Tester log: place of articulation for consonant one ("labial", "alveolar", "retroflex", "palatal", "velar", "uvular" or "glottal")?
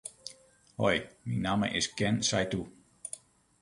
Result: glottal